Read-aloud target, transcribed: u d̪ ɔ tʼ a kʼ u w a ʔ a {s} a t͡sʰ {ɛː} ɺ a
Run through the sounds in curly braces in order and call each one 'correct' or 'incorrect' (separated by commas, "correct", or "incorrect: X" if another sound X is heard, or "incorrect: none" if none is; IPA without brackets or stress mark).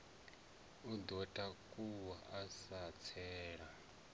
correct, correct